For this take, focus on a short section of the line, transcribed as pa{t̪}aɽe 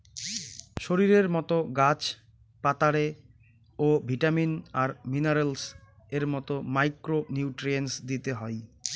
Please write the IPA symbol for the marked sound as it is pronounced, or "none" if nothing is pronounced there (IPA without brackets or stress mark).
t̪